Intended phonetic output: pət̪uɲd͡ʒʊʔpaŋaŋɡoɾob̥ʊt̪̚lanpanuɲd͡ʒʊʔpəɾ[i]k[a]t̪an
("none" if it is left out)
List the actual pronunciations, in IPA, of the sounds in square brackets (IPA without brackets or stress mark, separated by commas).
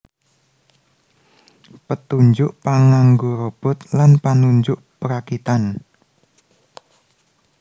a, i